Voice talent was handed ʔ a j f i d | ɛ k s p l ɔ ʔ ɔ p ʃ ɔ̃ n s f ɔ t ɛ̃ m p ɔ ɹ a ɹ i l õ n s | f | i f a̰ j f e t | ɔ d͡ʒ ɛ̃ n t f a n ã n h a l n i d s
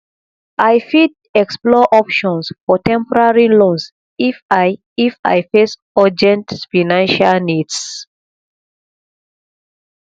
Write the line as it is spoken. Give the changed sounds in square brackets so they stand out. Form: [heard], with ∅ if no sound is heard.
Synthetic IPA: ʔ a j f i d | ɛ k s p l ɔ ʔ ɔ p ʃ ɔ̃ n s f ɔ t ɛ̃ m p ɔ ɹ a ɹ i l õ n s | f | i f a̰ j f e [s] | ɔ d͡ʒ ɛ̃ n t f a n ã n [ʃ] a l n i d s